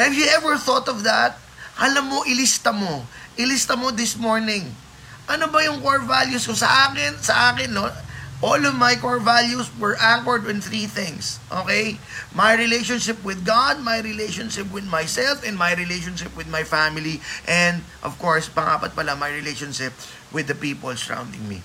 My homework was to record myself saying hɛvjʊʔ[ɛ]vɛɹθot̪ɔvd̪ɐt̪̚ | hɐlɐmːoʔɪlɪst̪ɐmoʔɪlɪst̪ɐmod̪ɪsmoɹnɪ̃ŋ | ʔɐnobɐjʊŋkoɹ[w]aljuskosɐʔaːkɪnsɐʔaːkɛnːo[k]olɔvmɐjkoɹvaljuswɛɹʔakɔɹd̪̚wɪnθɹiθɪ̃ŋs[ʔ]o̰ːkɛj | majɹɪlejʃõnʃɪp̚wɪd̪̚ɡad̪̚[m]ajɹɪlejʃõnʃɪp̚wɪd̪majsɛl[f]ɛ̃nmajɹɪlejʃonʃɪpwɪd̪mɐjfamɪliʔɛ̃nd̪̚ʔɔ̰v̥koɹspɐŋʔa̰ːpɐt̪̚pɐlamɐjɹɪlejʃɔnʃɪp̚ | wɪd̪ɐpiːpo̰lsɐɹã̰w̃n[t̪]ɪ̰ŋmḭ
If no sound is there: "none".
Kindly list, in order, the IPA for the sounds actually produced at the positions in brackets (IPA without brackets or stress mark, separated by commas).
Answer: ɛ, v, ʔ, ʔ, m, f, d̪